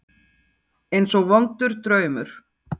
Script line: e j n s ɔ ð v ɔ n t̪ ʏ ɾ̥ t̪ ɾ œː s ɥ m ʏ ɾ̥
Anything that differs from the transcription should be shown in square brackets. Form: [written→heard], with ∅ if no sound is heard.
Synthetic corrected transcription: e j n s ɔ [ð→ɣ] v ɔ n t̪ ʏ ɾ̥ t̪ ɾ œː [s→∅] ɥ m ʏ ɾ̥

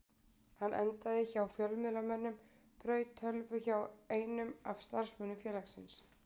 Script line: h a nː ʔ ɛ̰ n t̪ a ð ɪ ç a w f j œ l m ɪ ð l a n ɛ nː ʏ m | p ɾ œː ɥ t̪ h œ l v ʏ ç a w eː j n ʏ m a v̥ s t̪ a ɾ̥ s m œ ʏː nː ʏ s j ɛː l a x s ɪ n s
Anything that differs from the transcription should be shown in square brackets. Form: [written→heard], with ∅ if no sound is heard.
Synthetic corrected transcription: h a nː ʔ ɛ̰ n t̪ a ð ɪ ç a w f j œ l m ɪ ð l a [n→m] ɛ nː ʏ m | p ɾ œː ɥ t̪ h œ l v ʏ ç a w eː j n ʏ m a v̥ s t̪ a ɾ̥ s m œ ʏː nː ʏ [s→f] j ɛː l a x s ɪ n s

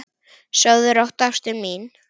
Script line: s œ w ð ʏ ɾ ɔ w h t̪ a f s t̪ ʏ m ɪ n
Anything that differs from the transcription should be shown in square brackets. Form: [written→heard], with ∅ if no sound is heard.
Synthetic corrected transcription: s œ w ð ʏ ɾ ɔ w h t̪ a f s t̪ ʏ m [ɪ→i] n

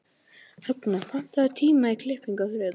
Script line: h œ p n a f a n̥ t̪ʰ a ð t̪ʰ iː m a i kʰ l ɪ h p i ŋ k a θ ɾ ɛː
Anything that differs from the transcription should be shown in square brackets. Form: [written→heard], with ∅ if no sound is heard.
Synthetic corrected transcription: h œ [p→k] n a f a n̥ [t̪ʰ→t̪] a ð t̪ʰ iː m a i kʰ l ɪ h p i ŋ k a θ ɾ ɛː

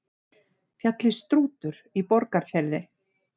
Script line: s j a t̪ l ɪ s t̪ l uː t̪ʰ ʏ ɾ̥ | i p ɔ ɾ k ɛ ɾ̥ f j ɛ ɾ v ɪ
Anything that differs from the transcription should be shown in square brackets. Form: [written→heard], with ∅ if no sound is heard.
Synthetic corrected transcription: [s→f] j a t̪ l ɪ s t̪ [l→ɾ] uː [t̪ʰ→t̪] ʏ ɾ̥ | i p ɔ ɾ k [ɛ→a] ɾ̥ f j ɛ ɾ [v→ð] ɪ

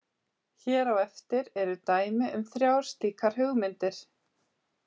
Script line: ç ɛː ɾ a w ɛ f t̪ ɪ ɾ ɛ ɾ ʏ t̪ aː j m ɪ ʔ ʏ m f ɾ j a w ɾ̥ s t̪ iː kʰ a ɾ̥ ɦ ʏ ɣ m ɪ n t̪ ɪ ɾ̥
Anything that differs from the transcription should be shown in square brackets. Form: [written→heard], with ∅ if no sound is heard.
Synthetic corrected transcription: ç ɛː ɾ a w ɛ f t̪ ɪ ɾ ɛ ɾ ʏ t̪ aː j m ɪ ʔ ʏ m [f→θ] ɾ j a w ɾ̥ s t̪ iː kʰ a ɾ̥ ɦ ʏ ɣ m ɪ n t̪ ɪ ɾ̥

